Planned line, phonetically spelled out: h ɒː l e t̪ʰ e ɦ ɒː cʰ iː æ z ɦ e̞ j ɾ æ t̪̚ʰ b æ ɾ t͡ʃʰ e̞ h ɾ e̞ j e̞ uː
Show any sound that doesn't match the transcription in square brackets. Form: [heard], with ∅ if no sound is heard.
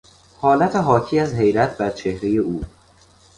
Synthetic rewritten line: h ɒː l [æ] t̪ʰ e ɦ ɒː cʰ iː æ z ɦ e̞ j ɾ æ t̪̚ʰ b æ ɾ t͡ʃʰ e̞ h ɾ e̞ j e̞ uː